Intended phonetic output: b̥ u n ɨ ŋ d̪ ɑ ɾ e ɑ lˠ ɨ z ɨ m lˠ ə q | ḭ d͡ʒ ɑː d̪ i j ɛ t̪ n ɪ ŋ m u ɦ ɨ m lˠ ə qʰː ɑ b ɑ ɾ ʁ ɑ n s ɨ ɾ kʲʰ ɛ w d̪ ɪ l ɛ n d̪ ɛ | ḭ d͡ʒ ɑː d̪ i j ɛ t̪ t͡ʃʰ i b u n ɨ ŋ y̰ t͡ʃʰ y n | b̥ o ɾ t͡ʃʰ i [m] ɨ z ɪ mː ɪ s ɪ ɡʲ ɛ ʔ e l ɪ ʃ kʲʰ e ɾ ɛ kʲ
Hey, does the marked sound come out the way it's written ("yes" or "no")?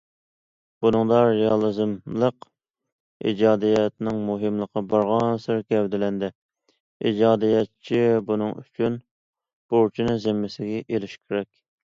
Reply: no